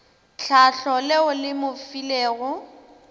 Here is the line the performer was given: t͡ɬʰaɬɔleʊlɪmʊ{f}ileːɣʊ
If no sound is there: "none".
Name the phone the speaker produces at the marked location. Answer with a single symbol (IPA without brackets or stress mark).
f